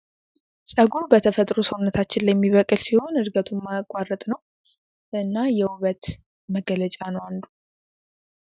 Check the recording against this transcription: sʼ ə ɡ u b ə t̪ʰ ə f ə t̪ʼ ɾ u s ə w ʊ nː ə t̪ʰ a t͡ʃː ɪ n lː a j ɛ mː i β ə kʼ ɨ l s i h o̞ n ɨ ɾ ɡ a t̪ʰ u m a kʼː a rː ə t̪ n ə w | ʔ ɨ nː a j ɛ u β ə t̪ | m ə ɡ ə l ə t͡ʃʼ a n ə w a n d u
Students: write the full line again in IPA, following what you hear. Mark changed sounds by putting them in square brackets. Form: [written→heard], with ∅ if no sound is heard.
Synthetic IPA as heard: sʼ ə ɡ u b ə t̪ʰ ə f ə t̪ʼ ɾ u s ə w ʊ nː ə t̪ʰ a t͡ʃː ɪ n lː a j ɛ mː i β ə kʼ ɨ l s i h o̞ n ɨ ɾ ɡ [a→ə] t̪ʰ u m a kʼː a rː ə [t̪→t̪ʼ] n ə w | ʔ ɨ nː a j ɛ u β ə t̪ | m ə ɡ ə l ə t͡ʃʼ a n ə w a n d u